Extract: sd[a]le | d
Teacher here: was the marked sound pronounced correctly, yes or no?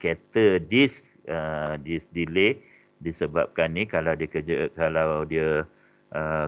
no